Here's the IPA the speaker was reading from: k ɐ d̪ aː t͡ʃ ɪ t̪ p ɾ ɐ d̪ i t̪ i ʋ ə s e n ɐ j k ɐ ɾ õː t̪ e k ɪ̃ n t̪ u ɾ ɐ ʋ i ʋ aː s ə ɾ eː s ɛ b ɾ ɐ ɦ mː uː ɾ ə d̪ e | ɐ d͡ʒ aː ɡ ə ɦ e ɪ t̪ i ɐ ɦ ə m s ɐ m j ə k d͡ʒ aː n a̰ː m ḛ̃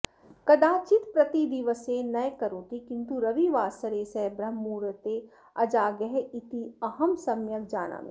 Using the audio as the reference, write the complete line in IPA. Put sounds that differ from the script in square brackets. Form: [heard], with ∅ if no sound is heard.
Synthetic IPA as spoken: k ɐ d̪ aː t͡ʃ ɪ t̪ p ɾ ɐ [t̪] i [d̪] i ʋ ə s e n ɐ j k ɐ ɾ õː t̪ [i] k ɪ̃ n t̪ u ɾ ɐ ʋ i ʋ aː s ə ɾ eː s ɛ b ɾ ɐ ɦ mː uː ɾ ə [t̪] e | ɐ d͡ʒ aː ɡ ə ɦ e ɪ t̪ i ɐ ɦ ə m s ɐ m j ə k d͡ʒ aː n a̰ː m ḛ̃